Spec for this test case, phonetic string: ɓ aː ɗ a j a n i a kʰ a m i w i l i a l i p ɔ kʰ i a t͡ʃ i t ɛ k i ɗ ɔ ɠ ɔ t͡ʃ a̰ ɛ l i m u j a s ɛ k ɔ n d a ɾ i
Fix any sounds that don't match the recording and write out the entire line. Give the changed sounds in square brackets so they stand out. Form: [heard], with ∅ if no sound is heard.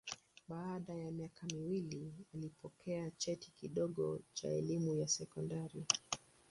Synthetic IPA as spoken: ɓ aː ɗ a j a [m] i a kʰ a m i w i l i a l i p ɔ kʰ [ɛ] a t͡ʃ [ɛ] t [i] k i ɗ ɔ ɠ ɔ t͡ʃ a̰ ɛ l i m u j a s ɛ k ɔ n d a ɾ i